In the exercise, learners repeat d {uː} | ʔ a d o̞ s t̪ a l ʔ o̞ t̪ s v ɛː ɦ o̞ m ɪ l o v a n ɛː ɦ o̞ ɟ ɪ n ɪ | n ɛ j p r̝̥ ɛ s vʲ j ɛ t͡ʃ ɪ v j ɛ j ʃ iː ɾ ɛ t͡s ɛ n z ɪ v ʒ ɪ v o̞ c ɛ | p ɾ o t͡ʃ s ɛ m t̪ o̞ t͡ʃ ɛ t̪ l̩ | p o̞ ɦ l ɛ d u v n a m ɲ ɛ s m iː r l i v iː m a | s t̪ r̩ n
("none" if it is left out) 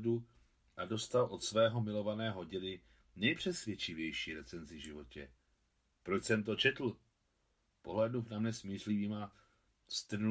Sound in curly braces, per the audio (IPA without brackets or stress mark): u